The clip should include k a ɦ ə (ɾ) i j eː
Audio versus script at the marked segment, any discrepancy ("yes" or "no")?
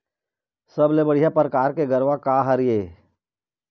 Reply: no